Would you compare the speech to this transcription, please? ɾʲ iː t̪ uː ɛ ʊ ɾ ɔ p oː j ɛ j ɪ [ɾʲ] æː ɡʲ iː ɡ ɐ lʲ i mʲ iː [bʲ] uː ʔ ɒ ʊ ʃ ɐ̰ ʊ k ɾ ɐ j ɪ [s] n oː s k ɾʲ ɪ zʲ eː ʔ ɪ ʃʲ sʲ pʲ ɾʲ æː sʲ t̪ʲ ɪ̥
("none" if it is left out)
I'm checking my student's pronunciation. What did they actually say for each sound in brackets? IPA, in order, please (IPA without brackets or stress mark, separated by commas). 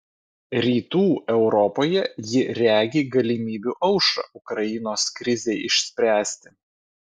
ɾʲ, bʲ, none